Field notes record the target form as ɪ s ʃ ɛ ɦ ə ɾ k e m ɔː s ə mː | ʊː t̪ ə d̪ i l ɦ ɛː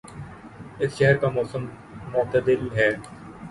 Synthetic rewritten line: ɪ s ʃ ɛ ɦ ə ɾ k a m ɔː s ə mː | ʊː t̪ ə d̪ ɪ l ɦ ɛː